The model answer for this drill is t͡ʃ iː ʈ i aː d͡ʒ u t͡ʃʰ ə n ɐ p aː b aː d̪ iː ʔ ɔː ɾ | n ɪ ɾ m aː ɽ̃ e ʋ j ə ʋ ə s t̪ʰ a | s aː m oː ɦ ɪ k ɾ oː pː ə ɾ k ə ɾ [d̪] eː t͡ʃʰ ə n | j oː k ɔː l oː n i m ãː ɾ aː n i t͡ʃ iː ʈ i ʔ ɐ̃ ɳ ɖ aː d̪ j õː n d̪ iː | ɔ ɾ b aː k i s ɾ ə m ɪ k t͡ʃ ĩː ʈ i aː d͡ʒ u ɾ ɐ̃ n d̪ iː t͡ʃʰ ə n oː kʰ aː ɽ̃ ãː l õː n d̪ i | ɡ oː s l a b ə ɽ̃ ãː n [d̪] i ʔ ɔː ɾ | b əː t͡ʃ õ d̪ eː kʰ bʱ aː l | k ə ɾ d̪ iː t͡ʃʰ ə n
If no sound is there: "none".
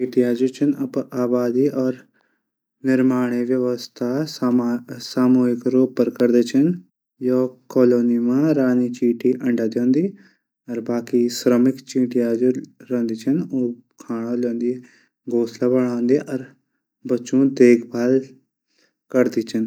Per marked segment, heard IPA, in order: d̪, d̪

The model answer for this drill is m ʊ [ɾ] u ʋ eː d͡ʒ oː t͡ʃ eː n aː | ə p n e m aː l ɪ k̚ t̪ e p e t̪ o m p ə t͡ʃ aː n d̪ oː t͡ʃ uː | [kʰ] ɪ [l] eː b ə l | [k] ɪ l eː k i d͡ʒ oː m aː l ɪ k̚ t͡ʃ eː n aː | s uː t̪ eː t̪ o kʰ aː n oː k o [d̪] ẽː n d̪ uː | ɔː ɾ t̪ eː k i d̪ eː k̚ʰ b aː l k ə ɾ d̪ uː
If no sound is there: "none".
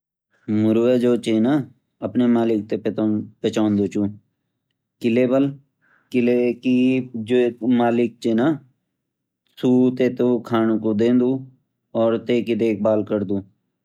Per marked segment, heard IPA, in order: ɾ, k, l, k, d̪

